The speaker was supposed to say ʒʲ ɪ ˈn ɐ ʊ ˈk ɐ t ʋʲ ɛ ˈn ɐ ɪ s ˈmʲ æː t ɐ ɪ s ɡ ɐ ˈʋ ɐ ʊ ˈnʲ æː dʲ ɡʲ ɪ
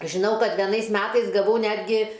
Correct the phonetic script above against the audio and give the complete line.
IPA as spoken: ʒʲ ɪ ˈn ɐ ʊ ˈk ɐ t ʋʲ ɛ ˈn ɐ ɪ s ˈmʲ æː t ɐ ɪ s ɡ ɐ ˈʋ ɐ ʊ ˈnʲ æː dʲ ɡʲ ɪ